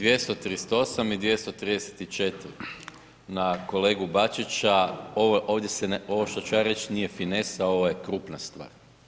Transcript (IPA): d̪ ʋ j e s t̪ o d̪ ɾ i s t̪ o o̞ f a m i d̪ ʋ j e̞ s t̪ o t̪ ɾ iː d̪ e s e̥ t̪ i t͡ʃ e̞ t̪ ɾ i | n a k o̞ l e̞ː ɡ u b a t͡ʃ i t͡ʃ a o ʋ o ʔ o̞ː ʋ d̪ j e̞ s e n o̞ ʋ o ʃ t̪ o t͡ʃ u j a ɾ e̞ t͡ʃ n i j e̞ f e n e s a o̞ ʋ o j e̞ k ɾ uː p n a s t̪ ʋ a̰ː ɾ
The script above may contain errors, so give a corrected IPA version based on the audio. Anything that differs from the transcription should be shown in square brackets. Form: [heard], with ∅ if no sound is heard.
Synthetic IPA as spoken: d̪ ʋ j e s t̪ o [t̪] ɾ i s t̪ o o̞ [s] a m i d̪ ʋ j e̞ s t̪ o t̪ ɾ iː d̪ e s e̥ t̪ i t͡ʃ e̞ t̪ ɾ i | n a k o̞ l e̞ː ɡ u b a t͡ʃ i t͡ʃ a o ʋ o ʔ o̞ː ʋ d̪ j e̞ s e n o̞ ʋ o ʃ t̪ o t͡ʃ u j a ɾ e̞ t͡ʃ n i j e̞ f [i] n e s a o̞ ʋ o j e̞ k ɾ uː p n a s t̪ ʋ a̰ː ɾ